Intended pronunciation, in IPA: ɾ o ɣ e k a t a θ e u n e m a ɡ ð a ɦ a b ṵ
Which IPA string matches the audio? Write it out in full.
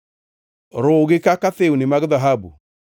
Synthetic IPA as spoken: ɾ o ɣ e k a k a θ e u n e m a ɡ ð a ɦ a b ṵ